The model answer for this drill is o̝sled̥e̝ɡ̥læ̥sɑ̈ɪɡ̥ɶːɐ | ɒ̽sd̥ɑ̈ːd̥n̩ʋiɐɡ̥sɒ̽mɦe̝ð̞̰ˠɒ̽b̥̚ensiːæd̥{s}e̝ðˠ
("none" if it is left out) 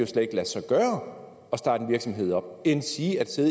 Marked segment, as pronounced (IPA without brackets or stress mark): s